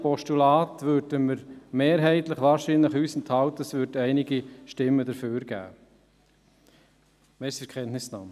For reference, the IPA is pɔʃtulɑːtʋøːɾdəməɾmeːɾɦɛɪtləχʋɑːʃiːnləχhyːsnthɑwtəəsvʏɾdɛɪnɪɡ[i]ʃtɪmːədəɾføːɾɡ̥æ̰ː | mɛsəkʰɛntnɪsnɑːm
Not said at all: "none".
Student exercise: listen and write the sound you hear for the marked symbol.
i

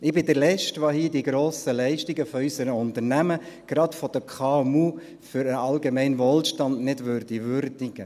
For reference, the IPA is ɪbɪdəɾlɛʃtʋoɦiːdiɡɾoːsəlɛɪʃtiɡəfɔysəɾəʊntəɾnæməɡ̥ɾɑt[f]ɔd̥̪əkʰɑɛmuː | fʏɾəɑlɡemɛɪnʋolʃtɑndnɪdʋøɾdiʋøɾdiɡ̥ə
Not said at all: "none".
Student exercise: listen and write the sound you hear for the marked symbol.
f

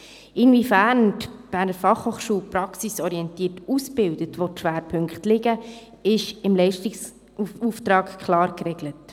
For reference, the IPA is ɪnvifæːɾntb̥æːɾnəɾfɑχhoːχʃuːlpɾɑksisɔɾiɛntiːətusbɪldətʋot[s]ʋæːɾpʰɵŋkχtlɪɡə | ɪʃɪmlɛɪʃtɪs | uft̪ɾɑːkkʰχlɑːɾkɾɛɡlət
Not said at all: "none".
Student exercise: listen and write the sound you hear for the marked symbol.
ʃ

